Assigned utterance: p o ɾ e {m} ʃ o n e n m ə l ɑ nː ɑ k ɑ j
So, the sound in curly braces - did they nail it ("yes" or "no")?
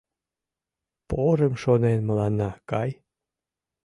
yes